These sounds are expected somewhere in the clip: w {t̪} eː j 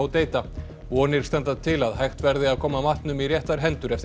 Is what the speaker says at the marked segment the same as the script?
yes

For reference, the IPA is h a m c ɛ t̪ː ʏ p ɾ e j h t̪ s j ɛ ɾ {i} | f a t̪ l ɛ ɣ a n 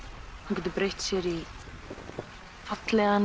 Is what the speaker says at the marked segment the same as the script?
yes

